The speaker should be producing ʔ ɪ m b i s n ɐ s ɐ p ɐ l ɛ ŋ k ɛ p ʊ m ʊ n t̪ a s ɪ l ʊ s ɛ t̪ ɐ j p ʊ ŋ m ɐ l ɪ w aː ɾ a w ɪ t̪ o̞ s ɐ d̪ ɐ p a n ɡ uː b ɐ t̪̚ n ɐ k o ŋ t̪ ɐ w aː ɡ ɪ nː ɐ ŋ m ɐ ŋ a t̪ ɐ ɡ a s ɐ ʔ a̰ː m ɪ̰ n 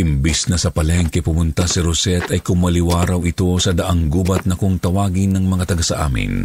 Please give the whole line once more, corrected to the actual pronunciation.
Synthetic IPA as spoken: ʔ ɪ m b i s n ɐ s ɐ p ɐ l ɛ ŋ k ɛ p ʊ m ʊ n t̪ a s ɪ ɾ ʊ s ɛ t̪ ɐ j k ʊ ŋ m ɐ l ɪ w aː ɾ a w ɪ t̪ o̞ s ɐ d̪ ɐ ʔ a ŋ ɡ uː b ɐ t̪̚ n ɐ k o ŋ t̪ ɐ w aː ɡ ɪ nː ɐ ŋ m ɐ ŋ a t̪ ɐ ɡ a s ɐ ʔ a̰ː m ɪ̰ n